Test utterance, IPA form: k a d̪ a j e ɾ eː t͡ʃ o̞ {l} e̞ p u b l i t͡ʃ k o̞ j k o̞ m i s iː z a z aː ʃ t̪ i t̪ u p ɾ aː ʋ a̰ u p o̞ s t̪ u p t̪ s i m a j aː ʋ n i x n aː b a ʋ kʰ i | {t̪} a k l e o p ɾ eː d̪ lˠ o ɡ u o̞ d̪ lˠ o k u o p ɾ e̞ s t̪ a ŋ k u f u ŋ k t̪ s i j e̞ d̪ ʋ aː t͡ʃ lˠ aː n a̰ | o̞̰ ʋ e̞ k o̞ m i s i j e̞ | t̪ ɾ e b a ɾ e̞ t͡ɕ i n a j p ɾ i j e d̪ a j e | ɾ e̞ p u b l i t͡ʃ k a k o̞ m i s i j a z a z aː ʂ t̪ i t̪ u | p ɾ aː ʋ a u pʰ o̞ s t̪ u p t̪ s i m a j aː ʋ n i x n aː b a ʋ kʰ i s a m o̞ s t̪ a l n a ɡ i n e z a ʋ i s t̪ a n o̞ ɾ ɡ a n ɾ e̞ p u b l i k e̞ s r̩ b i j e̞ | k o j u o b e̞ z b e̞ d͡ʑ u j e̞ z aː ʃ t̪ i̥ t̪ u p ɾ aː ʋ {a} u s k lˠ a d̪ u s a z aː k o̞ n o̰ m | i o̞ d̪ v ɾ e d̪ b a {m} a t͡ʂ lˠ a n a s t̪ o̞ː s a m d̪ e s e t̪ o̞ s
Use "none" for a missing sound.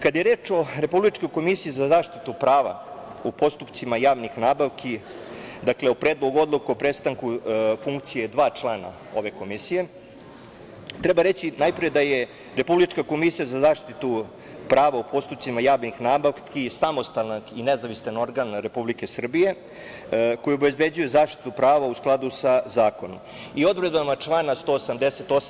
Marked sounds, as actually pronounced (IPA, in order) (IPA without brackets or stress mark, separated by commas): ɾ, d̪, a, m